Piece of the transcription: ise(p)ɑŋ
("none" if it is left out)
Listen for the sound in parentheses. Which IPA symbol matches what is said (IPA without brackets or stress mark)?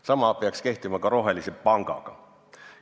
p